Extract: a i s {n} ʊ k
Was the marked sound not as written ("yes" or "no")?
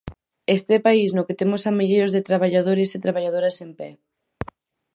no